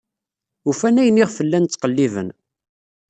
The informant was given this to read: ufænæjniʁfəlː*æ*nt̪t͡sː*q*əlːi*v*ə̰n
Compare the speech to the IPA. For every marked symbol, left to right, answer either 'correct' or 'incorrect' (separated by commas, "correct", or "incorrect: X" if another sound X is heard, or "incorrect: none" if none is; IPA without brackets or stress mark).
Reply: correct, correct, correct